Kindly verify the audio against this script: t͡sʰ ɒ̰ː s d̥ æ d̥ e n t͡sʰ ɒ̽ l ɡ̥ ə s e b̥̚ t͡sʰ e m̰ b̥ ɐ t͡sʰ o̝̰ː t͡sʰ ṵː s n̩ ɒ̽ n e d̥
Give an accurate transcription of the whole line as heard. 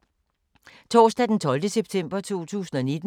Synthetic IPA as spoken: t͡sʰ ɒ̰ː s d̥ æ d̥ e n t͡sʰ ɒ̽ l d̥ ə s e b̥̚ t͡sʰ e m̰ b̥ ɐ t͡sʰ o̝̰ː t͡sʰ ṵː s n̩ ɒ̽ n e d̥